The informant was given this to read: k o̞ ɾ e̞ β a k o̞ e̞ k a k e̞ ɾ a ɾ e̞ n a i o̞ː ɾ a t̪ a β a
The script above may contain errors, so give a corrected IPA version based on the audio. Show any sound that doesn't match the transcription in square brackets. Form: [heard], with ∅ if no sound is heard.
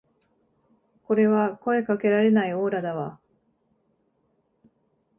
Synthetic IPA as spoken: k o̞ ɾ e̞ β a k o̞ e̞ k a k e̞ ɾ a ɾ e̞ n a i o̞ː ɾ a [d̪] a β a